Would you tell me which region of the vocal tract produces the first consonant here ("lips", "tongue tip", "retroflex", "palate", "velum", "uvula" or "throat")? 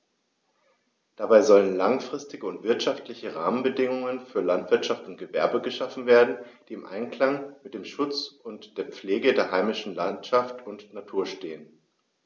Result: tongue tip